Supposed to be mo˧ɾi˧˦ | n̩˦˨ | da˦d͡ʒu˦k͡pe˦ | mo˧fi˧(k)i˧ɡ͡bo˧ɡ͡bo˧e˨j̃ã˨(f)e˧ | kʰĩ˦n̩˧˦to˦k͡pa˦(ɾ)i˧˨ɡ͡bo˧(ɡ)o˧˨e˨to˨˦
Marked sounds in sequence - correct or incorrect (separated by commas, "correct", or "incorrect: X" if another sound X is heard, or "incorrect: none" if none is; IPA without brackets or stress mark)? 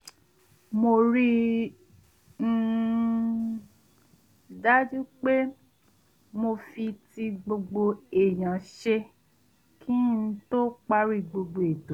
incorrect: t, incorrect: ʃ, correct, incorrect: ɡ͡b